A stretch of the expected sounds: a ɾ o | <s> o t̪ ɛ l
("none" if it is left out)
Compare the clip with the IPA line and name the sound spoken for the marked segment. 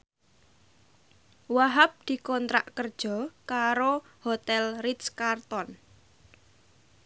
h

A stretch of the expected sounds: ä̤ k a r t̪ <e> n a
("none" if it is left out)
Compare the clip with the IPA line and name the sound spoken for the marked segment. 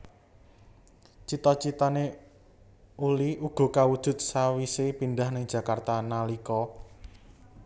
a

